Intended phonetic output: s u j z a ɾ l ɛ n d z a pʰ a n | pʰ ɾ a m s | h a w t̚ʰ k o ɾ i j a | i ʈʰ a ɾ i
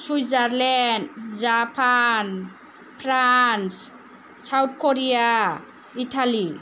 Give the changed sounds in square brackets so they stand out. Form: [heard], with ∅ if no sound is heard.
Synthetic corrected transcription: s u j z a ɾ l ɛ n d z a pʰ a n | pʰ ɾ a [n] s | [s] a w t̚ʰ k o ɾ i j a | i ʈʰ a [l] i